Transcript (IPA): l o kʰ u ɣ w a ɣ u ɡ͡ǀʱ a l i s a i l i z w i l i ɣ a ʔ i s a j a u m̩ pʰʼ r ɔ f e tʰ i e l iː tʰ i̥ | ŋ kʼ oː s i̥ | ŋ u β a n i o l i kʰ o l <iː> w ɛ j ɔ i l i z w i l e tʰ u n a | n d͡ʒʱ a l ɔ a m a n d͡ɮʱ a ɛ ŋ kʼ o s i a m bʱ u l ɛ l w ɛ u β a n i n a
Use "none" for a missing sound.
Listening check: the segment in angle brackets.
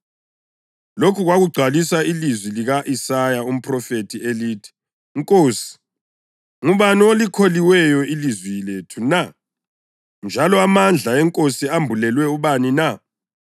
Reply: i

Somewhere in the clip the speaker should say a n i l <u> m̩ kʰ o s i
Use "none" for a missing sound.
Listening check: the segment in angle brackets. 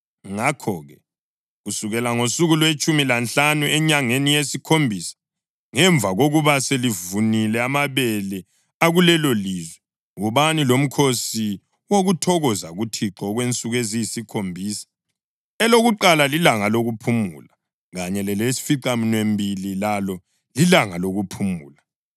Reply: o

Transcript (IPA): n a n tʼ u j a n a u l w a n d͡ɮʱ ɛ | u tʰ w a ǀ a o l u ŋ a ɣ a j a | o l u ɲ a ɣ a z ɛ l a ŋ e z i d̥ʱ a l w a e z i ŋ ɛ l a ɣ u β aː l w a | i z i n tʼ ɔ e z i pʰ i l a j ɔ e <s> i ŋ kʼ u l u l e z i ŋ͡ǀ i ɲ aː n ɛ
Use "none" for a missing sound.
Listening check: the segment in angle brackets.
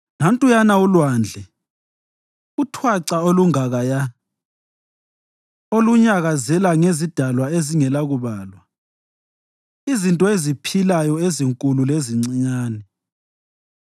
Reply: z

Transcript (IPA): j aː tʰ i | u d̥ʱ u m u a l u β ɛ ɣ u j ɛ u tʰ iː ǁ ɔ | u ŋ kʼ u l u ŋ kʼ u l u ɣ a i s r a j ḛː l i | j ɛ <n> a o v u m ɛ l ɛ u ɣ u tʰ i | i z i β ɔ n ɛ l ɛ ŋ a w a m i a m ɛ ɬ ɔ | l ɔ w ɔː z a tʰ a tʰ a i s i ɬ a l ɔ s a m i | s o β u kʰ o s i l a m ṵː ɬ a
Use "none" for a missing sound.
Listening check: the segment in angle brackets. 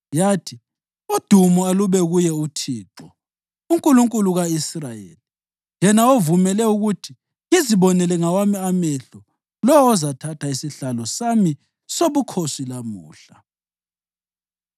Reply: n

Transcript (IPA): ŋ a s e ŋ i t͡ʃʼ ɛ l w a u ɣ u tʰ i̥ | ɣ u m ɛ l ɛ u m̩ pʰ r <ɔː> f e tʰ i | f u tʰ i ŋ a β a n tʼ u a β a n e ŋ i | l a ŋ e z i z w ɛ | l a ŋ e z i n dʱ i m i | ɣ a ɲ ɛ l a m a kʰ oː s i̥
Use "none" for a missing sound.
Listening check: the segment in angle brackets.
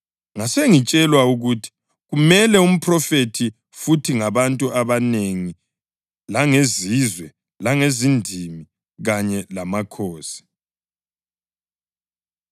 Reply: ɔ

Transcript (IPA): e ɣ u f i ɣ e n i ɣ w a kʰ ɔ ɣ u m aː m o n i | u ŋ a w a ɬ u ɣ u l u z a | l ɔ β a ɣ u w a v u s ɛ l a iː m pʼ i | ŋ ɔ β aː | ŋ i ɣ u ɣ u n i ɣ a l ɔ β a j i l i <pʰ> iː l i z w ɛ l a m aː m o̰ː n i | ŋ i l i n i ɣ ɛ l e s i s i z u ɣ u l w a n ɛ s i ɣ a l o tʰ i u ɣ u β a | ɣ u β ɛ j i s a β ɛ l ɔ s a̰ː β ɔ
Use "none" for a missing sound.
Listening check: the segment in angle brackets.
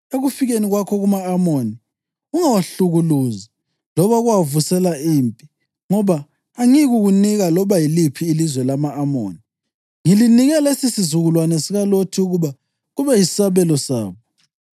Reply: pʰ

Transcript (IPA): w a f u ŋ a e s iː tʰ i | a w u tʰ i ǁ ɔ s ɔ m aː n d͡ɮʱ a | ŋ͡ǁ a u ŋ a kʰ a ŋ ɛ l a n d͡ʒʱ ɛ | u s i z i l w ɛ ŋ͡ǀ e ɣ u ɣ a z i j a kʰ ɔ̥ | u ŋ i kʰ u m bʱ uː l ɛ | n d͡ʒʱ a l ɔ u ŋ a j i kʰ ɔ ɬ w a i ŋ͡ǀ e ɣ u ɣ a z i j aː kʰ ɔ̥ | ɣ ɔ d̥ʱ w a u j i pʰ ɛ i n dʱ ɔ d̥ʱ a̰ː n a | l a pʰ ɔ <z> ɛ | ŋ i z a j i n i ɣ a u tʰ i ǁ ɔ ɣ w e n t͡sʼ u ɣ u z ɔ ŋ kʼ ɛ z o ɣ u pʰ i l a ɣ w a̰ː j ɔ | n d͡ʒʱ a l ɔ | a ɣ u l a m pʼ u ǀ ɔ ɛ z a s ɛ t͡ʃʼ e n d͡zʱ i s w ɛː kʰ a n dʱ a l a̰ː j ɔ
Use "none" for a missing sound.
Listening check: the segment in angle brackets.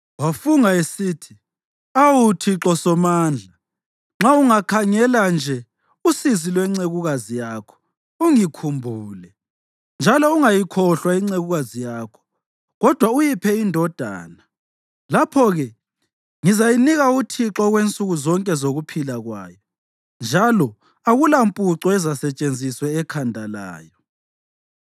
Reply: ɣ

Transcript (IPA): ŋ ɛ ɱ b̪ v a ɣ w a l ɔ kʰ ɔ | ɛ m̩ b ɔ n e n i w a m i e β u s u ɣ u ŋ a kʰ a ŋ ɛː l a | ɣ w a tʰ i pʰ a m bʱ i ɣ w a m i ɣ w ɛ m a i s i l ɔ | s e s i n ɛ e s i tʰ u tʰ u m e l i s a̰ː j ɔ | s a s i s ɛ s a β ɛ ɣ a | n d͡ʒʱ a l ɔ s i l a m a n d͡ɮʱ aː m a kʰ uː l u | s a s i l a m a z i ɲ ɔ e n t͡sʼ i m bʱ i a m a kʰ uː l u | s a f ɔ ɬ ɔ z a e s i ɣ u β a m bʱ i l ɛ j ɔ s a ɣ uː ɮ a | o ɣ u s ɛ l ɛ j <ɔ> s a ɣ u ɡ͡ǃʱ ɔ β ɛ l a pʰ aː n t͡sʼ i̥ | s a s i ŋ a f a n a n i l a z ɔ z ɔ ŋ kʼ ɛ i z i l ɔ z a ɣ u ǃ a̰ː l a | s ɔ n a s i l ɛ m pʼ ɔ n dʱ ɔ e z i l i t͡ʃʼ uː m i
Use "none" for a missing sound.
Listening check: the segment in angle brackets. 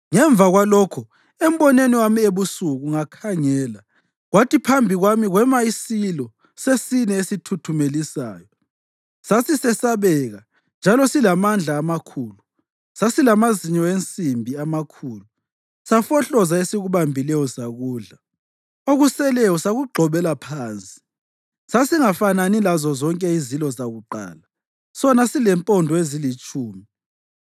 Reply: ɔ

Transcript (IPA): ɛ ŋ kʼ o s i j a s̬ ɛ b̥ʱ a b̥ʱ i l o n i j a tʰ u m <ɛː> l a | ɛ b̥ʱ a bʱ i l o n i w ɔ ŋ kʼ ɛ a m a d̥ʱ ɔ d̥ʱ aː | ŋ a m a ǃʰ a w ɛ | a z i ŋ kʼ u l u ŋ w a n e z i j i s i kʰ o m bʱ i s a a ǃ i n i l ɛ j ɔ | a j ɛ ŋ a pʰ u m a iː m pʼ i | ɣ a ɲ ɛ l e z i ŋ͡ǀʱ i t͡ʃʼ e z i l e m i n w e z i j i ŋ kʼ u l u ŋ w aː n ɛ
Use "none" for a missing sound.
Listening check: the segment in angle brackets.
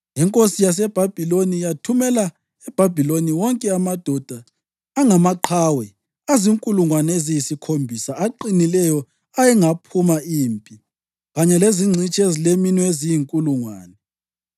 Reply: ɛ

